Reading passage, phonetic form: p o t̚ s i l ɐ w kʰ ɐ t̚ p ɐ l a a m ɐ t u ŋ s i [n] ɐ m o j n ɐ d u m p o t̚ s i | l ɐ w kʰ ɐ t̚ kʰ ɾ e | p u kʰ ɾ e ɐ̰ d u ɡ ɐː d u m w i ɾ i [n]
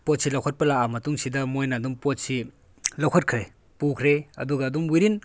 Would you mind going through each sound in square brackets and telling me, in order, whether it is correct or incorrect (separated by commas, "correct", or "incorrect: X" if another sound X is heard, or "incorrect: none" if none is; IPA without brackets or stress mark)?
incorrect: d, correct